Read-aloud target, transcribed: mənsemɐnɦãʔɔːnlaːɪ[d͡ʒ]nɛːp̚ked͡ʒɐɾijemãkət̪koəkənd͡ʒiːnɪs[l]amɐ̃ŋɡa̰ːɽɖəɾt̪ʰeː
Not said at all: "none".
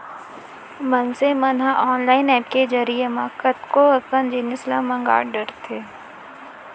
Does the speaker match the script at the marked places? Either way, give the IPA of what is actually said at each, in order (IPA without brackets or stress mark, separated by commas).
none, l